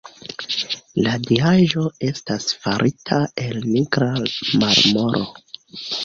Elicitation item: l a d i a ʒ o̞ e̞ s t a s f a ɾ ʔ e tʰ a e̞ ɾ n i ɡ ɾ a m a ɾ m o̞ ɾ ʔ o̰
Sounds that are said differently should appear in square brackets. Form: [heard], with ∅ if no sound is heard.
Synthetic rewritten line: l a d i a ʒ o̞ e̞ s t a s f a ɾ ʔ [i] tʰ a e̞ [l] n i ɡ ɾ a m a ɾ m o̞ ɾ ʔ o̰

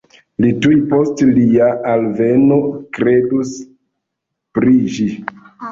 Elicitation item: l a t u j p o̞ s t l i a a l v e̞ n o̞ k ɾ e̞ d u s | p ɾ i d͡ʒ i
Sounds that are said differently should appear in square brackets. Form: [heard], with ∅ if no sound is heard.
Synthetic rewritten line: l [i] t u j p o̞ s t l i a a l v e̞ n o̞ k ɾ e̞ d u s | p ɾ i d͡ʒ i

